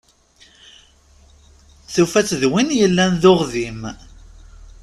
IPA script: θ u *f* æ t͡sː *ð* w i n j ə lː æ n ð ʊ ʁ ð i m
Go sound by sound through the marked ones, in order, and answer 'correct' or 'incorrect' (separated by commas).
correct, correct